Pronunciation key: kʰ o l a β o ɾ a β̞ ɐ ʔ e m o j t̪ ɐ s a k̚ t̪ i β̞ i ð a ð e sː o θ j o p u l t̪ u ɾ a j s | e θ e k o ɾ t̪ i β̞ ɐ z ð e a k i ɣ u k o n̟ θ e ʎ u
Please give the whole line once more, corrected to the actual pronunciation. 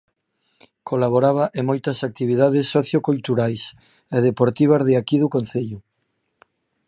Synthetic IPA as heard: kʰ o l a β o ɾ a β̞ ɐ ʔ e m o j t̪ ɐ s a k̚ t̪ i β̞ i ð a ð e sː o θ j o k u l t̪ u ɾ a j s | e ð e p o ɾ t̪ i β̞ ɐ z ð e a k i ð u k o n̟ θ e ʎ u